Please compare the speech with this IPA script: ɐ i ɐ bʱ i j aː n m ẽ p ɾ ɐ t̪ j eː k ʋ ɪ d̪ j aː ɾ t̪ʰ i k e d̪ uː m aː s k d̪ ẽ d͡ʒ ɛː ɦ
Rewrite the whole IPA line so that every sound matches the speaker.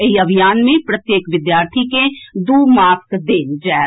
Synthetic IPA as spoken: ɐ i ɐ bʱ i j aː n m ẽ p ɾ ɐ t̪ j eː k ʋ ɪ d̪ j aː ɾ t̪ʰ i k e d̪ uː m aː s k d̪ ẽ d͡ʒ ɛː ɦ